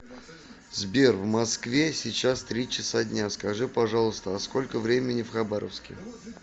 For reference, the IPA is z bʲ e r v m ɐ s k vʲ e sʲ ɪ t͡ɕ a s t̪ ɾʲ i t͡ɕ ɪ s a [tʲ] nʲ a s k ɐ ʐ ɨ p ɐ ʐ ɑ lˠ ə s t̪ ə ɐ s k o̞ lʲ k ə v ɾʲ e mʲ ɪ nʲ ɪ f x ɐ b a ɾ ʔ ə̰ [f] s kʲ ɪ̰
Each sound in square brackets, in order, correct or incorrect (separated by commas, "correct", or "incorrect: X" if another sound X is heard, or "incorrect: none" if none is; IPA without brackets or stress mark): incorrect: dʲ, correct